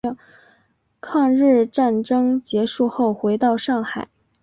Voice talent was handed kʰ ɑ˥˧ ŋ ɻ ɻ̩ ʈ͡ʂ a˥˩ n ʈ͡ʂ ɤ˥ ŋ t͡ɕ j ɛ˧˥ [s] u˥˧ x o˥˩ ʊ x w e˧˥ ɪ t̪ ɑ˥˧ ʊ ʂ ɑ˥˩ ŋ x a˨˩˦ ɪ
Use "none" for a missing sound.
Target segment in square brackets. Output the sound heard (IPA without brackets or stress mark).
ʂ